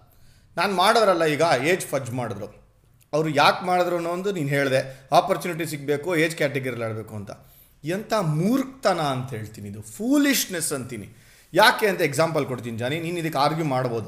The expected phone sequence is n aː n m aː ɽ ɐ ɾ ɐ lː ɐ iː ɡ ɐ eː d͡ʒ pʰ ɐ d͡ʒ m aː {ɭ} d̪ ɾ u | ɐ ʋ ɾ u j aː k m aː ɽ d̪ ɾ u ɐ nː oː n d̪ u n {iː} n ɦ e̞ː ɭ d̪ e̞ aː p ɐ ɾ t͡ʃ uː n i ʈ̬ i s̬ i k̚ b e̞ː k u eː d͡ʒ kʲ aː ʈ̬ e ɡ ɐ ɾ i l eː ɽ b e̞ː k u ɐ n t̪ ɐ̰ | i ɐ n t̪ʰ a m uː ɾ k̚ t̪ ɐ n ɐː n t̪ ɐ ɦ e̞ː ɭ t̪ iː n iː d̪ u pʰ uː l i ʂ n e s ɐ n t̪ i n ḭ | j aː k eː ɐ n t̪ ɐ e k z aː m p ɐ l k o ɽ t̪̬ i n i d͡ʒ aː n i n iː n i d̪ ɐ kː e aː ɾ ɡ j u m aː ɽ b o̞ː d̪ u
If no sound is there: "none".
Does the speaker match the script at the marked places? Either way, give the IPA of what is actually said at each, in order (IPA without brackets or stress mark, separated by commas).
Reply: ɽ, iː